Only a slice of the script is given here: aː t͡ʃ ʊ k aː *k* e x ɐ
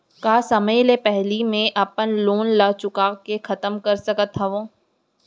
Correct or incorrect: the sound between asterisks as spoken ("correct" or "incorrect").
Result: correct